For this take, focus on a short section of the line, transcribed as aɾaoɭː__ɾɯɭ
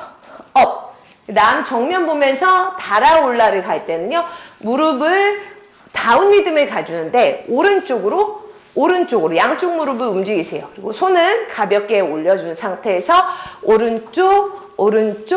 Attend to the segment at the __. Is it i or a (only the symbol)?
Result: a